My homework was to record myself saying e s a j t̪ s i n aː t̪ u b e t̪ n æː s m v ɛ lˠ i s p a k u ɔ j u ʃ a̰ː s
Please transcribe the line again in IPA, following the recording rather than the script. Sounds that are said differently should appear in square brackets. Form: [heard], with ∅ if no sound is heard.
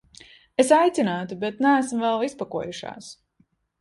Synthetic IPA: e s a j t̪ s i n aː t̪ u b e t̪ n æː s m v ɛ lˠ i s p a k u ɔ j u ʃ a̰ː s